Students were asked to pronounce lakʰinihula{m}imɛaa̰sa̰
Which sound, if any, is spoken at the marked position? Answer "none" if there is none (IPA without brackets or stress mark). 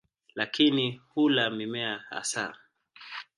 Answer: m